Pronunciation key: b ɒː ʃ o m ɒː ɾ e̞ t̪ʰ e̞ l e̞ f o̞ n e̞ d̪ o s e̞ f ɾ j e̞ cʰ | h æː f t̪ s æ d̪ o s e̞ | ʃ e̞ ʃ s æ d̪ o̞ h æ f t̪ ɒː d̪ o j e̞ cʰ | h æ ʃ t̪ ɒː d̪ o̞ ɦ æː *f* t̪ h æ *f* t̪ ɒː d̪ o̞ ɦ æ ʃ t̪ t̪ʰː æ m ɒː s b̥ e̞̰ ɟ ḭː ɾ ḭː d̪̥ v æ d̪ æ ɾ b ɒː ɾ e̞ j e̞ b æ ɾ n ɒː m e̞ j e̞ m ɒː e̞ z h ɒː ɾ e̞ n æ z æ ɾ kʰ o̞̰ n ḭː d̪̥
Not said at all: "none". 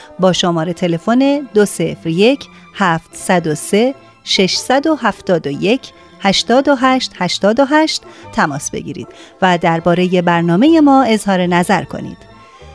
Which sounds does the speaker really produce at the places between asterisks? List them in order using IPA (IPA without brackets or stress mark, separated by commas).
ʃ, ʃ